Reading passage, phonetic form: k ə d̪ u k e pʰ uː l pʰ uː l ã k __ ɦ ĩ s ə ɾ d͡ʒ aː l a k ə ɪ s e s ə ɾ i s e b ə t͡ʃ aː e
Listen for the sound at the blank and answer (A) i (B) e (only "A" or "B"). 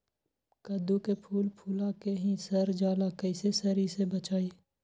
B